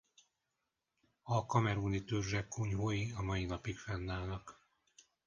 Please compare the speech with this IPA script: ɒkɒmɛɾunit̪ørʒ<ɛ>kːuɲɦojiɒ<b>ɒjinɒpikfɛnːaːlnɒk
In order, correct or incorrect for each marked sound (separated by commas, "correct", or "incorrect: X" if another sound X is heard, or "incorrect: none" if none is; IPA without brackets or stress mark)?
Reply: correct, incorrect: m